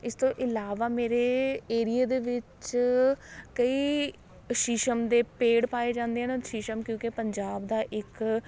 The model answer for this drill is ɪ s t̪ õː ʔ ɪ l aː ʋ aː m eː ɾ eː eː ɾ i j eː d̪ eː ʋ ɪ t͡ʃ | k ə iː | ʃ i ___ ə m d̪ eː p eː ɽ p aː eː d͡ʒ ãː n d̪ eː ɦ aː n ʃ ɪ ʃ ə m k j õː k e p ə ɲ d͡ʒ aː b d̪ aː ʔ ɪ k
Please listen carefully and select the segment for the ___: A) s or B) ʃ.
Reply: B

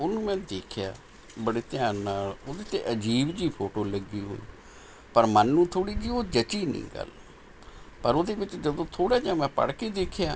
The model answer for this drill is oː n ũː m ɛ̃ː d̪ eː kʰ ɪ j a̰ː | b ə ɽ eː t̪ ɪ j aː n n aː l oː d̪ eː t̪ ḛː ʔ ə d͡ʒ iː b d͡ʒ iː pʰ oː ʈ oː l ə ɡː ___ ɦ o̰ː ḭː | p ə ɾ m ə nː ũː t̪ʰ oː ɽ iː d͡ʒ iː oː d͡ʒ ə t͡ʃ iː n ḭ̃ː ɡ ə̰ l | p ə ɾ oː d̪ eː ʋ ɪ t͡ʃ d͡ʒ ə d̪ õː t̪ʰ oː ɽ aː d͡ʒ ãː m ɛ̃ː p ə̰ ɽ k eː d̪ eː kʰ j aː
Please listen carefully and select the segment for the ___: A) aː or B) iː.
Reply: B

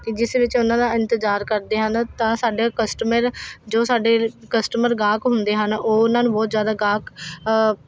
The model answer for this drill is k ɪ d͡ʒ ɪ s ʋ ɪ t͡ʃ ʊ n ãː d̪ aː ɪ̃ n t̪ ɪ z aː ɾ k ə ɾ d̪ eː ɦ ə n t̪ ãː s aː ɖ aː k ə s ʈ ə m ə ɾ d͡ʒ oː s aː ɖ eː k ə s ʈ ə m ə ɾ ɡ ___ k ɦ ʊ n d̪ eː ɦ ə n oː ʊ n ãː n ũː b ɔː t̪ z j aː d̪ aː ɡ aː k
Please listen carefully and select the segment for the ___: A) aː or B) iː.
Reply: A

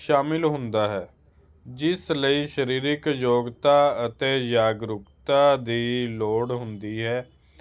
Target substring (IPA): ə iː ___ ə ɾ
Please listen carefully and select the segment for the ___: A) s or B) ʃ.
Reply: B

